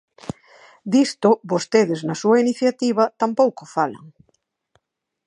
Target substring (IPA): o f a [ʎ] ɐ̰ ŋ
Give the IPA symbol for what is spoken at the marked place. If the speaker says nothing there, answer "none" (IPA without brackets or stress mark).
l